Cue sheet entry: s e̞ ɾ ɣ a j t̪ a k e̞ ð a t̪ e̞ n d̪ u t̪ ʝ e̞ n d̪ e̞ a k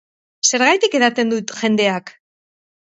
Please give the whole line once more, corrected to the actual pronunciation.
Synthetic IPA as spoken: s e̞ ɾ ɣ a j t̪ i k e̞ ð a t̪ e̞ n d̪ u t̪ ʝ e̞ n d̪ e̞ a k